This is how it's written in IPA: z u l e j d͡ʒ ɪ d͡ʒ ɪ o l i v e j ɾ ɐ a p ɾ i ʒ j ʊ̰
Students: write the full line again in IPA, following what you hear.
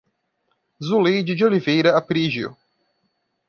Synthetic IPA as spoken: z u l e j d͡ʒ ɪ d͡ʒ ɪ o l i v e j ɾ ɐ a p ɾ i ʒ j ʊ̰